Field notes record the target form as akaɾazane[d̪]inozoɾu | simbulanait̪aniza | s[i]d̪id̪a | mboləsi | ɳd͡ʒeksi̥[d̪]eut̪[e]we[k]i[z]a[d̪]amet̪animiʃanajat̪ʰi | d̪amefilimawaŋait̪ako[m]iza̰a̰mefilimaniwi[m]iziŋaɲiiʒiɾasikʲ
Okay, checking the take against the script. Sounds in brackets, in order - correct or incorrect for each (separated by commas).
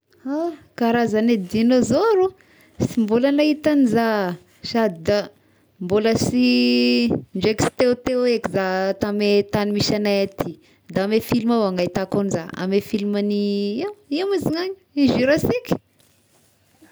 correct, incorrect, incorrect, correct, correct, correct, incorrect, incorrect, correct